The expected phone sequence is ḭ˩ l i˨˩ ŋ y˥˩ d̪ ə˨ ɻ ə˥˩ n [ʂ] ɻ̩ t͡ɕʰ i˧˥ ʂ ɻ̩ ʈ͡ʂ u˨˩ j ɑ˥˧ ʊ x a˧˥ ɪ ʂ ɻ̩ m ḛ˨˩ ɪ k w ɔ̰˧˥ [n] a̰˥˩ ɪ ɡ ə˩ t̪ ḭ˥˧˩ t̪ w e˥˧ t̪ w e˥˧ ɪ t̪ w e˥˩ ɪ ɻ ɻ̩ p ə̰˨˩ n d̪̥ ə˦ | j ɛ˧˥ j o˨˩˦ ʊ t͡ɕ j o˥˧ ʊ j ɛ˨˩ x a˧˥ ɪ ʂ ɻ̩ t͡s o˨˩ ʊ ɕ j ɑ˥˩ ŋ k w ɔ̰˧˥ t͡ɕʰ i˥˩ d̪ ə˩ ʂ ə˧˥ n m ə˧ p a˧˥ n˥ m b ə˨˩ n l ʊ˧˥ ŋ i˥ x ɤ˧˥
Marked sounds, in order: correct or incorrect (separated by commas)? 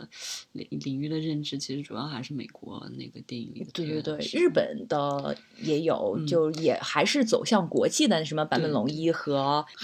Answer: incorrect, correct